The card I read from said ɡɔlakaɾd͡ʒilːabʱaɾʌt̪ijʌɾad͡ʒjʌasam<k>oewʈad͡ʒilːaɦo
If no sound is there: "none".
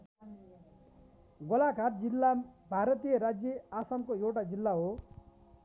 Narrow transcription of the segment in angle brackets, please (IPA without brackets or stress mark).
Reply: k